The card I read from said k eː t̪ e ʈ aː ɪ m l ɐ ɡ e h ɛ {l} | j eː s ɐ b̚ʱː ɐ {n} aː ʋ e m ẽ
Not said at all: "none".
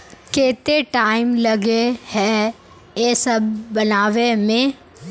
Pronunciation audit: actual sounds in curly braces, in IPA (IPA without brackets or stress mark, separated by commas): none, n